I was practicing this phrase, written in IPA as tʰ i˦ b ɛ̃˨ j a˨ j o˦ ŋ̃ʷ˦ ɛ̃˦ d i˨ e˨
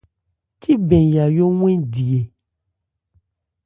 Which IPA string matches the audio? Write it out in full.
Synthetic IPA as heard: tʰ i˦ b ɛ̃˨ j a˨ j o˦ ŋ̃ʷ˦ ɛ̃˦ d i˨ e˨